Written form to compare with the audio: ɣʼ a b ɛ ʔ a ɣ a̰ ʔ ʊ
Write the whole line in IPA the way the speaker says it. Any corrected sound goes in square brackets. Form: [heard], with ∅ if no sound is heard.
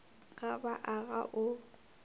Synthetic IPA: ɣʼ a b [a] ʔ a ɣ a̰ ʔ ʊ